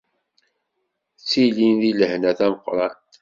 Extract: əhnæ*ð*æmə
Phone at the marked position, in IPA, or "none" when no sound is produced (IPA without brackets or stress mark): θ